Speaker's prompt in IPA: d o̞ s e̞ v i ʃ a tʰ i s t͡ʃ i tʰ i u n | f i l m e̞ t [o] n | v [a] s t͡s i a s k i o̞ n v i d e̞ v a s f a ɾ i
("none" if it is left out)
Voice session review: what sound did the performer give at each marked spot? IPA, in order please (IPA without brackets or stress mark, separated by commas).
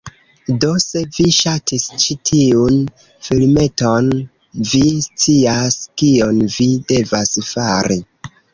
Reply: o, i